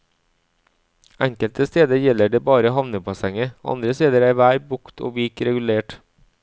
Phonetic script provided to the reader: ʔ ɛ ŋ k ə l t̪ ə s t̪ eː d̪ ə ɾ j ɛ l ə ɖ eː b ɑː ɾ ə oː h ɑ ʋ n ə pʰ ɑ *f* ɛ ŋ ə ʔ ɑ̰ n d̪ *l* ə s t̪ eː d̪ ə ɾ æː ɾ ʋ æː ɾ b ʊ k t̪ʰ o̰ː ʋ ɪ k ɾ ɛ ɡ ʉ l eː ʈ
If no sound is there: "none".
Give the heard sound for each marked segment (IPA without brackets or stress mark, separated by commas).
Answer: s, ɾ